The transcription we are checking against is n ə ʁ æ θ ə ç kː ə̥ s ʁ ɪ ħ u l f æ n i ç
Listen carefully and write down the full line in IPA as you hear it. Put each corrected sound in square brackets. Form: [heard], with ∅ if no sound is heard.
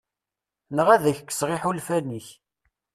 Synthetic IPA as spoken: n ə ʁ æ [ð] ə ç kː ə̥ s ʁ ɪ ħ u l f æ n i ç